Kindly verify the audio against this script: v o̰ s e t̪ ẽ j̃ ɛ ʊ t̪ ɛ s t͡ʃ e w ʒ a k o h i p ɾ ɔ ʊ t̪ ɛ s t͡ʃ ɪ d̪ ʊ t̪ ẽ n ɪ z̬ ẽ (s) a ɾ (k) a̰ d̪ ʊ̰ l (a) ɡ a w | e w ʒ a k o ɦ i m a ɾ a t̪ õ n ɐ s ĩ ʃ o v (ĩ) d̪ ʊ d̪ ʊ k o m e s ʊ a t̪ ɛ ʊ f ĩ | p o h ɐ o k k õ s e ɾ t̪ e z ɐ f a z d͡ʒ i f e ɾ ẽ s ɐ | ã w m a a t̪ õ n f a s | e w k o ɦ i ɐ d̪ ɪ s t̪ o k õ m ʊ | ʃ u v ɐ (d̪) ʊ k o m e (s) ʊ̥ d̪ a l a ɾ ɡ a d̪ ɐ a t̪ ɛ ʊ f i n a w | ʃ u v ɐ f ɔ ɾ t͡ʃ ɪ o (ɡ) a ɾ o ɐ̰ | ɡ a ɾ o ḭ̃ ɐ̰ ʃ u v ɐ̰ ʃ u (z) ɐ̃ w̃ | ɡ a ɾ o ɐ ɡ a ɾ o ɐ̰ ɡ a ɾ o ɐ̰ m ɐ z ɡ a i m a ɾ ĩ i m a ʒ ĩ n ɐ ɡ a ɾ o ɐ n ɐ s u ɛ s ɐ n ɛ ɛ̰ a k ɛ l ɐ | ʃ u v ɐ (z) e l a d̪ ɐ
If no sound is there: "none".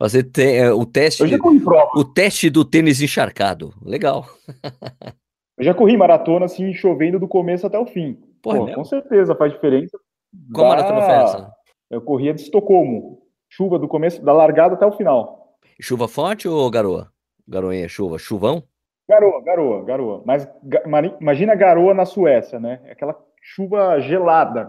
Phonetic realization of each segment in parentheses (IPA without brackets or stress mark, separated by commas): ʃ, k, e, ẽ, d̪, s, ɡ, v, ʒ